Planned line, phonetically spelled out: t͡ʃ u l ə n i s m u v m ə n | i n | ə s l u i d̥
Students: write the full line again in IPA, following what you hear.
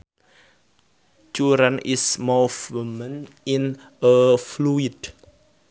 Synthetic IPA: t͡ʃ u ɾ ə n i s m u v m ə n | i n | ə f l u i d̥